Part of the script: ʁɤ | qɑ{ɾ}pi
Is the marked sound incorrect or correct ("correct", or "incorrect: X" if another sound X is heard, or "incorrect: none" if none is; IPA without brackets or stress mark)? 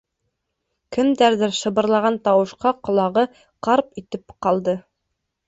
correct